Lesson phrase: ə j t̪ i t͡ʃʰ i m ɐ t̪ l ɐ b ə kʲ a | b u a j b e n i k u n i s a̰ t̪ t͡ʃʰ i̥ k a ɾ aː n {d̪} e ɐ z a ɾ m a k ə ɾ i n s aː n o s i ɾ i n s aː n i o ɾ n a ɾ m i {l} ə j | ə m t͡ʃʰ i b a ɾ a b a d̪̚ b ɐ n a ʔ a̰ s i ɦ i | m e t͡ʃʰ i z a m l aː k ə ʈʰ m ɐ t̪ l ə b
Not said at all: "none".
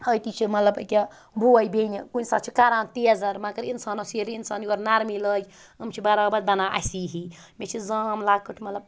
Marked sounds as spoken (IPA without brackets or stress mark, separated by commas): t̪, l